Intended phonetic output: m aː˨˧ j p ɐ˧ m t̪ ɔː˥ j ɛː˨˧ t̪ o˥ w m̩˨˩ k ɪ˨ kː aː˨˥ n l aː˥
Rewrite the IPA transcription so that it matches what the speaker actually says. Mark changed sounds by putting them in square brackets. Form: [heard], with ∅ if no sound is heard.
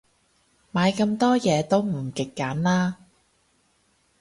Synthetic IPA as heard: m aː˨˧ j [k] ɐ˧ m t̪ ɔː˥ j ɛː˨˧ t̪ o˥ w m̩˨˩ k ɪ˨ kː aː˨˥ n l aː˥